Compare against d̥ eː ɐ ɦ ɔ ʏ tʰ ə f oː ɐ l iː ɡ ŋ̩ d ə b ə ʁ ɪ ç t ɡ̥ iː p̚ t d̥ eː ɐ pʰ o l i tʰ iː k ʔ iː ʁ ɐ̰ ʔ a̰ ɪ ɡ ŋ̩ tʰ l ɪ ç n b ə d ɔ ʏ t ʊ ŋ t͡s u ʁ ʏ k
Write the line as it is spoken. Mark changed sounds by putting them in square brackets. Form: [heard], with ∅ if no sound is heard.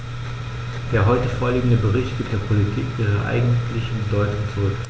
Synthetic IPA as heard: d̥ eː ɐ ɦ ɔ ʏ [t] ə f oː ɐ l iː ɡ ŋ̩ d ə b ə ʁ ɪ ç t ɡ̥ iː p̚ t d̥ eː ɐ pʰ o l i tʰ iː k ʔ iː ʁ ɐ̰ ʔ a̰ ɪ ɡ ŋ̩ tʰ l ɪ ç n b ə d ɔ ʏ t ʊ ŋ t͡s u ʁ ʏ k